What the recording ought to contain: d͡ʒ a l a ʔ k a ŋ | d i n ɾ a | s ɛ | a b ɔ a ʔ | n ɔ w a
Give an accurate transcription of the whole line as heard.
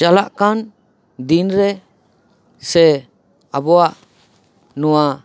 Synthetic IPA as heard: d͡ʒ a l a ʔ k a n | d i n ɾ ɛ | s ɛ | a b ɔ a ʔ | n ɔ w a